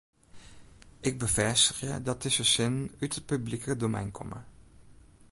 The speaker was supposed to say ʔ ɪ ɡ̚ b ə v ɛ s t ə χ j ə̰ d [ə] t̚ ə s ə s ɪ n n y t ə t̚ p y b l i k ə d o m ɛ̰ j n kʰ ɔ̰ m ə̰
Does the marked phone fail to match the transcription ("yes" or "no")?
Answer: yes